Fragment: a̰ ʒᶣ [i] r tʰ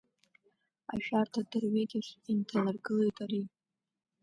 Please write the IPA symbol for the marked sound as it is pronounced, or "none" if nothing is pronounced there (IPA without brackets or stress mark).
a